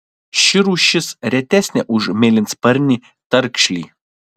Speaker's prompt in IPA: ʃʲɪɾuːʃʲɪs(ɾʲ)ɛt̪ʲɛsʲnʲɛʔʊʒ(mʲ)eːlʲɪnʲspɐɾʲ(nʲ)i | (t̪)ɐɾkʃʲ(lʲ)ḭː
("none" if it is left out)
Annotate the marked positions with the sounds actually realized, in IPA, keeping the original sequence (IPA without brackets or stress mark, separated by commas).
ɾʲ, mʲ, nʲ, t̪, lʲ